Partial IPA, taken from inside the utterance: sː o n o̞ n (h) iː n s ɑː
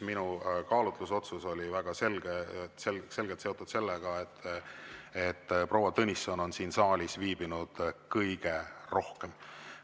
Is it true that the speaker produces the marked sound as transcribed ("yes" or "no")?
no